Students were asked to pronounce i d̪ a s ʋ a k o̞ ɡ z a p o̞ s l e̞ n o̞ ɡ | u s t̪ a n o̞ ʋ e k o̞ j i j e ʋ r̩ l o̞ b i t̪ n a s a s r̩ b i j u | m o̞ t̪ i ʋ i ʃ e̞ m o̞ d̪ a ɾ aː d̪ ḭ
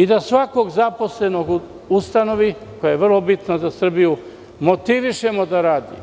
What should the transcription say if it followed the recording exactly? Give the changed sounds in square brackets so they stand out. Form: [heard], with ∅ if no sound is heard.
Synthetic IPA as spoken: i d̪ a s ʋ a k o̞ ɡ z a p o̞ s l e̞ n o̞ ɡ | u s t̪ a n o̞ ʋ [i] k o̞ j [a] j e ʋ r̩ l o̞ b i t̪ n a [z] a s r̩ b i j u | m o̞ t̪ i ʋ i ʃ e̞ m o̞ d̪ a ɾ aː d̪ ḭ